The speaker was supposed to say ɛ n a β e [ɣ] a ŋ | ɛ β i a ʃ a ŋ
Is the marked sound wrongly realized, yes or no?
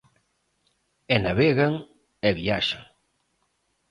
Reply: no